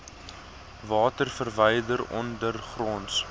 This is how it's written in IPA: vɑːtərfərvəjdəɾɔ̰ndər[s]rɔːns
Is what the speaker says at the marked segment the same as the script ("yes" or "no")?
no